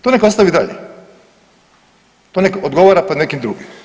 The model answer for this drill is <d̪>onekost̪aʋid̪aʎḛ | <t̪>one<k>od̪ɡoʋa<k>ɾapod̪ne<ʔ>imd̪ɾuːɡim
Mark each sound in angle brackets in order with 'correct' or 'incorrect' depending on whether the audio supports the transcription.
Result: incorrect, correct, correct, incorrect, incorrect

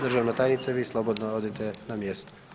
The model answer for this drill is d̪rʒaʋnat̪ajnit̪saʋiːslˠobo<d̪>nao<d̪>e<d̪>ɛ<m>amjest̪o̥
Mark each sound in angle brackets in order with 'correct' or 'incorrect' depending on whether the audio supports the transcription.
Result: correct, correct, incorrect, incorrect

